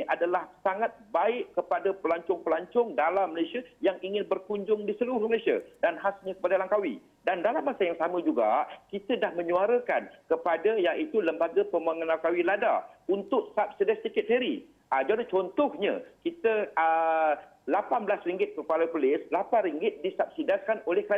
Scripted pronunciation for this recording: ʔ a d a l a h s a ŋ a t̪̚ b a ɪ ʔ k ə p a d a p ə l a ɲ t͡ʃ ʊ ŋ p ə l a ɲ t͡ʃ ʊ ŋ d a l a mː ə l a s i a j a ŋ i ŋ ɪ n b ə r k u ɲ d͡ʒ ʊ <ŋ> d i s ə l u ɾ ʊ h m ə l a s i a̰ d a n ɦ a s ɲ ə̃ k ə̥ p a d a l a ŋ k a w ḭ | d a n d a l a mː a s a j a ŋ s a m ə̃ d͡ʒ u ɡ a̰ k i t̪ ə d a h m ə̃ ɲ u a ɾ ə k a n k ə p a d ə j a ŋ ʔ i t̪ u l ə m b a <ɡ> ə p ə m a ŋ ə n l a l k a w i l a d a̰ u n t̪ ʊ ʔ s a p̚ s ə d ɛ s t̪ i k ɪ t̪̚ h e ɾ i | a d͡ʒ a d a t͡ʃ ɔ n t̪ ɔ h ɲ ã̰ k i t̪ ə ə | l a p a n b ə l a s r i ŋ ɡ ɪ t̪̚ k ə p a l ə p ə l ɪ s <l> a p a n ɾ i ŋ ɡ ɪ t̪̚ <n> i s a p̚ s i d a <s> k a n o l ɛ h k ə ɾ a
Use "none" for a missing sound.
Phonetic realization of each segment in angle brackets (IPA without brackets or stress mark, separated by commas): ŋ, ɡ, l, d, s